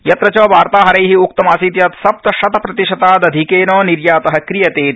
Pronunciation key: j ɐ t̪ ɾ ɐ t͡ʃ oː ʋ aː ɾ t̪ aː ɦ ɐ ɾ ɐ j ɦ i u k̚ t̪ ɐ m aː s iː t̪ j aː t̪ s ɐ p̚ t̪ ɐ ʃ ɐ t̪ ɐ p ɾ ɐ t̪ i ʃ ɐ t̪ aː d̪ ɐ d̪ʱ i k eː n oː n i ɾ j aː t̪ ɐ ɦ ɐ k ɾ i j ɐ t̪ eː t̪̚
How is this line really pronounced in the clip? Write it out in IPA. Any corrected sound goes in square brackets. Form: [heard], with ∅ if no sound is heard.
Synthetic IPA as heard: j ɐ t̪ ɾ ɐ t͡ʃ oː ʋ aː ɾ t̪ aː ɦ ɐ ɾ ɐ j ɦ i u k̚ t̪ ɐ m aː s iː t̪ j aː t̪ s ɐ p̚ t̪ ɐ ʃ ɐ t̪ ɐ p ɾ ɐ t̪ i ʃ ɐ t̪ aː d̪ ɐ d̪ʱ i k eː n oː n i ɾ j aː t̪ ɐ ɦ ɐ k ɾ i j ɐ t̪ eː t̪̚